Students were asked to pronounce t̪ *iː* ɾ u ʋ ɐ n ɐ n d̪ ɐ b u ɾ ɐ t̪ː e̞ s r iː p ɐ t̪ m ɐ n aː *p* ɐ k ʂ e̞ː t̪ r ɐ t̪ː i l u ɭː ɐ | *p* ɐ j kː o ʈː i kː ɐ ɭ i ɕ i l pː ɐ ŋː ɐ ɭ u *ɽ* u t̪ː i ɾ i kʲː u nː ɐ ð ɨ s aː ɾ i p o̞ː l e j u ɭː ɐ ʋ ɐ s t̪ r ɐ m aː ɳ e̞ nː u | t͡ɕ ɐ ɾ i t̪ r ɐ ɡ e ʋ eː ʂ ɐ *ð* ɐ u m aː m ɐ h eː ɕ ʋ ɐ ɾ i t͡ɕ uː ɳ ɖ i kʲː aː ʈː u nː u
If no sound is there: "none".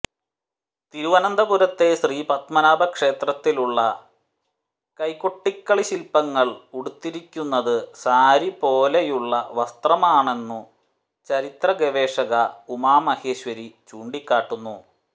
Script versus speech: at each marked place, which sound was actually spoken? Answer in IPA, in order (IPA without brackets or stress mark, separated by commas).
i, b, k, ɽ, ɣ